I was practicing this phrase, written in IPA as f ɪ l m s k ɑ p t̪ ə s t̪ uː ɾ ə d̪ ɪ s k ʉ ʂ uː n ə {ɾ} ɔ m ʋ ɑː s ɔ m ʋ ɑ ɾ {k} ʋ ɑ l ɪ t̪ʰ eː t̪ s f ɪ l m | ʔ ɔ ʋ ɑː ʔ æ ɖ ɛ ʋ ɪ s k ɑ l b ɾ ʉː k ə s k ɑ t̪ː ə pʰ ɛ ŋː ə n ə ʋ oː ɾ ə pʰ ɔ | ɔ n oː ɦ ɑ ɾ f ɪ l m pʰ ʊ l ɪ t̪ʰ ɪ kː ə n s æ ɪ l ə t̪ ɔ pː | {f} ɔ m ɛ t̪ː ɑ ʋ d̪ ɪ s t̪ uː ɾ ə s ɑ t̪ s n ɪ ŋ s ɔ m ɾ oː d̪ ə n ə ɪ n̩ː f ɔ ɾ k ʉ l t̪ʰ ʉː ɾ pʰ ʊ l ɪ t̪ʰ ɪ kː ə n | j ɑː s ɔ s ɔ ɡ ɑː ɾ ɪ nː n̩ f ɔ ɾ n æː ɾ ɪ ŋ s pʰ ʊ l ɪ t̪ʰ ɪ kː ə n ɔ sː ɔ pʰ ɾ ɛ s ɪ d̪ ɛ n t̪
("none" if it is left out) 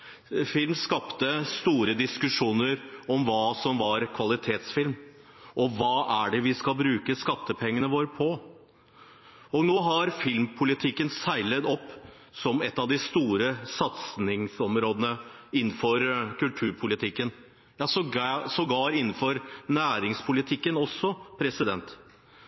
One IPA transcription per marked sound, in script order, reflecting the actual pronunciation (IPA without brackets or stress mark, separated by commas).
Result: ɾ, kʰ, s